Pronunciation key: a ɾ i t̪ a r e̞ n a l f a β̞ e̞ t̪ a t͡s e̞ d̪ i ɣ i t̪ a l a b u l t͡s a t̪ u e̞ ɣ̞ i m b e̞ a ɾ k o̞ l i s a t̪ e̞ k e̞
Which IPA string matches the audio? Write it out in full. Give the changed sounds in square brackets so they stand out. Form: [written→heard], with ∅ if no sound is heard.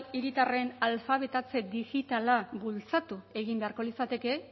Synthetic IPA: [a→i] ɾ i t̪ a r e̞ n a l f a β̞ e̞ t̪ a t͡s e̞ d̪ i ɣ i t̪ a l a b u l t͡s a t̪ u e̞ ɣ̞ i m b e̞ a ɾ k o̞ l i s a t̪ e̞ k e̞